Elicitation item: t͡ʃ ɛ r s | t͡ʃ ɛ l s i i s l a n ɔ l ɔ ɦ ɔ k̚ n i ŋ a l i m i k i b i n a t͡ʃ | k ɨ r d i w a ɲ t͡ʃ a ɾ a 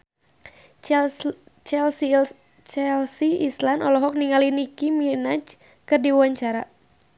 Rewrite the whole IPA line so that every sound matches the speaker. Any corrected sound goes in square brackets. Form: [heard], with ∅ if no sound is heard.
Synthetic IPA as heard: t͡ʃ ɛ [l] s | t͡ʃ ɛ l s i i s l a n ɔ l ɔ ɦ ɔ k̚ n i ŋ a l i [n] i k i [m] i n a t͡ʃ | k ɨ r d i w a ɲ t͡ʃ a ɾ a